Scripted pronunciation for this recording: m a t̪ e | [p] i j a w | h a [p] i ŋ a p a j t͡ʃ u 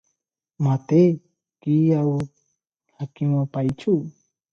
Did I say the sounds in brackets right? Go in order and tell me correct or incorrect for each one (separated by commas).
incorrect, incorrect